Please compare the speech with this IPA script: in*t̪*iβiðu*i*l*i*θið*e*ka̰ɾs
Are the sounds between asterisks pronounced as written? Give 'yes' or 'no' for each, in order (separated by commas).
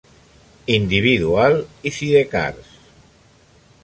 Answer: no, no, yes, yes